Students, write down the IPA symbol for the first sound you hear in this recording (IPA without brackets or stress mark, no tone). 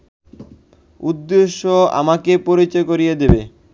u